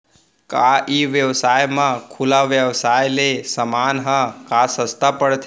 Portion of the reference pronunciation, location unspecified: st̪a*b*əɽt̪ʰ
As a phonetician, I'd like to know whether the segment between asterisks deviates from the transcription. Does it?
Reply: yes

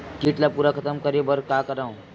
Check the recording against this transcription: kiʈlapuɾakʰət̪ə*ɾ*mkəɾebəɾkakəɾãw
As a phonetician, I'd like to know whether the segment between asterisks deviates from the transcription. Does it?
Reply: yes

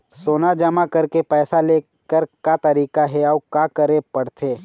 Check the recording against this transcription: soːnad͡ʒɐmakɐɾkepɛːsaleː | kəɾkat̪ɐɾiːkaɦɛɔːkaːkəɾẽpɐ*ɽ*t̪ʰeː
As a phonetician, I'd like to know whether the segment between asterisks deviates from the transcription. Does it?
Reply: no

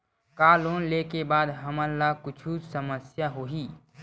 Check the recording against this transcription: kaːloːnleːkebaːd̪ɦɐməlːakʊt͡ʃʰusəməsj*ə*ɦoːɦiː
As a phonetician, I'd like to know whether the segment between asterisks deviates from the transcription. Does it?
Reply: yes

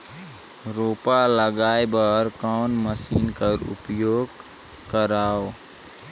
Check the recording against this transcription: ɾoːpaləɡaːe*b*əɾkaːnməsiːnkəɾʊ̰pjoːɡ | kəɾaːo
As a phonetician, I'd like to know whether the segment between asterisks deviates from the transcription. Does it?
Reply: no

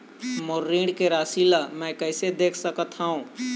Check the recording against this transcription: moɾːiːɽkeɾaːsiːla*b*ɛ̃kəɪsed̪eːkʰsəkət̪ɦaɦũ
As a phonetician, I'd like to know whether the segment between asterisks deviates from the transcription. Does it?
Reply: yes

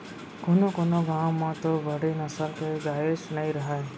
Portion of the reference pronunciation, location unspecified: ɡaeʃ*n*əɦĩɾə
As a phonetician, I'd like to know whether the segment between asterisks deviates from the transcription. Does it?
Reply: no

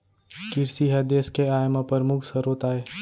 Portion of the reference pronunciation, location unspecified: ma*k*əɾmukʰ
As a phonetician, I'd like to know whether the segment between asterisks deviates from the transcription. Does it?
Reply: yes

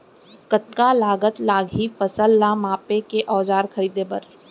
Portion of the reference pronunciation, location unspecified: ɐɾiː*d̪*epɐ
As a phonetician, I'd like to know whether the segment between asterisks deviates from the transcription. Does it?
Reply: no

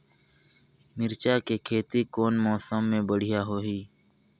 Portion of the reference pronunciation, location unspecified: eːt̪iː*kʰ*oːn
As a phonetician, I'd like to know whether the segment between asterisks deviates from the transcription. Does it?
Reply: yes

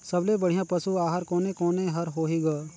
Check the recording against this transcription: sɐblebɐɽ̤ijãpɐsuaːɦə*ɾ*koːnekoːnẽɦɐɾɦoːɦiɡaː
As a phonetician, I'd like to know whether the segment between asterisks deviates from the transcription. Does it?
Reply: no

